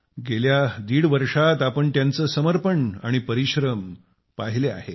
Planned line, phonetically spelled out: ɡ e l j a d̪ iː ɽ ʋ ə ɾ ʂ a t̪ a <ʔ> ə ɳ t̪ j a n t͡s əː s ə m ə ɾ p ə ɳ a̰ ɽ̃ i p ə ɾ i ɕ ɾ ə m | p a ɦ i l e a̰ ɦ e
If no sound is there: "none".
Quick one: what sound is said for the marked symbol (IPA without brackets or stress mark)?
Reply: p